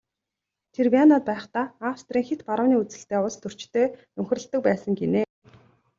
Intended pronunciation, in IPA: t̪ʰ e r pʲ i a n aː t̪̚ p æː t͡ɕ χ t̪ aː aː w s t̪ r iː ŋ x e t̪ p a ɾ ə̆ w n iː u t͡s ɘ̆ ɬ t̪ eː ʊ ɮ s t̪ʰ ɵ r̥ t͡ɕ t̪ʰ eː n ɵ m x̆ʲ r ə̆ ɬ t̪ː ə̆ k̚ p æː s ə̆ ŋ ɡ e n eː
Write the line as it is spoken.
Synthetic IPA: t̪ʰ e r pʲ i a n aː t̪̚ p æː χ t̪ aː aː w s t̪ r iː ŋ x e t̪ p a ɾ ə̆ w n iː u t͡s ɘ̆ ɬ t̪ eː ʊ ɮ s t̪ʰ ɵ r̥ t͡ɕ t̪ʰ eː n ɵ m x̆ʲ r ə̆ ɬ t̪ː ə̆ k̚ p æː s ə̆ ŋ ɡ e n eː